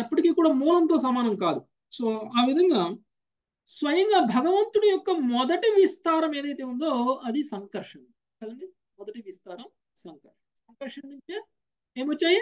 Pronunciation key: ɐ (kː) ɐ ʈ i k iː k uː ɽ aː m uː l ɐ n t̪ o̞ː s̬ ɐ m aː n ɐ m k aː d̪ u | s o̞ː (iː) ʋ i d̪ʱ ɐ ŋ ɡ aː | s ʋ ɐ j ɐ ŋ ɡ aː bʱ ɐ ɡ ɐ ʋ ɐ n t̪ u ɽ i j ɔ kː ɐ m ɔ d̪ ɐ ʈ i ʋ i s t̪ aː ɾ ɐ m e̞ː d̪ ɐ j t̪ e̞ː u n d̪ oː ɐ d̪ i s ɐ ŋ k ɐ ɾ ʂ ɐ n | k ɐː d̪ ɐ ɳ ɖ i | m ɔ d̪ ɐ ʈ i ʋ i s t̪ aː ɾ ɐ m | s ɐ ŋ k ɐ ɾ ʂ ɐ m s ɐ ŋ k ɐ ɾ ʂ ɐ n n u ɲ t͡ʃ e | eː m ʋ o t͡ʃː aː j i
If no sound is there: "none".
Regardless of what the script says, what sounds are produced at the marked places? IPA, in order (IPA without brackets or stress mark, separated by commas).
pː, aː